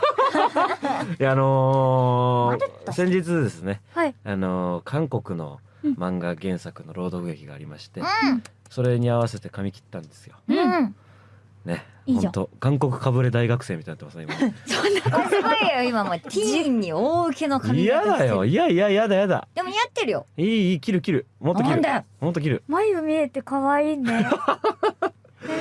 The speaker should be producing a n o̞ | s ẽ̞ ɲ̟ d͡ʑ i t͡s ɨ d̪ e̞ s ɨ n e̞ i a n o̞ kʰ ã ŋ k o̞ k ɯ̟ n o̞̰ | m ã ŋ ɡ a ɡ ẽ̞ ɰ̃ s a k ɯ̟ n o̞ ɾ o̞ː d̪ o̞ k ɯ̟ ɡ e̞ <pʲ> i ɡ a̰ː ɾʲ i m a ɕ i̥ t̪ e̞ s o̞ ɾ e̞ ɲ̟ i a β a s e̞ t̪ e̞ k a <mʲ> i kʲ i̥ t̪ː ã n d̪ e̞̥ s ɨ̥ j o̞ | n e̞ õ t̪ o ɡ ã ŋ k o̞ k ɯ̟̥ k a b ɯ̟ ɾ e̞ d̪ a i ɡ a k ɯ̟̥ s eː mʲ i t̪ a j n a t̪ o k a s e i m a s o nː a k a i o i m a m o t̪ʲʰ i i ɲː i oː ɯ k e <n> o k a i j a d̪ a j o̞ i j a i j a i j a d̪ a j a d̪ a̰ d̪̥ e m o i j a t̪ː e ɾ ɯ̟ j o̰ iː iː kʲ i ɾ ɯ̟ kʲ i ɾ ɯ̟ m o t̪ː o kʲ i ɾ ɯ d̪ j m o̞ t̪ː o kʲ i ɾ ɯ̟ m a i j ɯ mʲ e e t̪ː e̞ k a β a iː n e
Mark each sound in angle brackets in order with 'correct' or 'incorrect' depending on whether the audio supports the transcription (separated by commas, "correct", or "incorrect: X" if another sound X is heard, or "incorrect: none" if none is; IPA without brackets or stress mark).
incorrect: kʲ, correct, correct